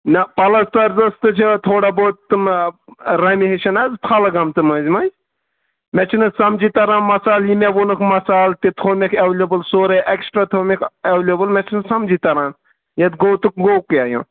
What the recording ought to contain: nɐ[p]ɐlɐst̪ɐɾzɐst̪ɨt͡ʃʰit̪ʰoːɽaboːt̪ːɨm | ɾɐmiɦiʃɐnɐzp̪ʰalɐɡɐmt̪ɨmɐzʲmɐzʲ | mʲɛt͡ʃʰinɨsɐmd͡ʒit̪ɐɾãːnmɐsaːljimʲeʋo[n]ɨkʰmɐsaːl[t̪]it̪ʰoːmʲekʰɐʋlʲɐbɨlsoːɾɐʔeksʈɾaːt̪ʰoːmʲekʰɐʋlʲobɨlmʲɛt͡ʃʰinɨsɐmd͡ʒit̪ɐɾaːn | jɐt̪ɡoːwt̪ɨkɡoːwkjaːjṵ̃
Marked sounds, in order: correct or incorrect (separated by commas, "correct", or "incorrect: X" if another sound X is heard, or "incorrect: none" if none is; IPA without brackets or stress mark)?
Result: correct, correct, correct